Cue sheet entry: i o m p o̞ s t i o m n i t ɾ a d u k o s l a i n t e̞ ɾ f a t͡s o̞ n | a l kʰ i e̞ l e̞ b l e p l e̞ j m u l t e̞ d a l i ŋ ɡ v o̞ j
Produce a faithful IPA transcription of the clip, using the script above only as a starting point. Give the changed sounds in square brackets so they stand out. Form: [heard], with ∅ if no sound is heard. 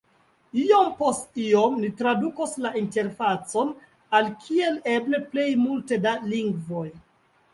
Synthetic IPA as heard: i o m p o̞ s t i o m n i t ɾ a d u k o s l a i n t e̞ ɾ f a t͡s o̞ n | a l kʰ i e̞ l e̞ b l e p l e̞ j m u l t e̞ d a l i ŋ ɡ v o̞ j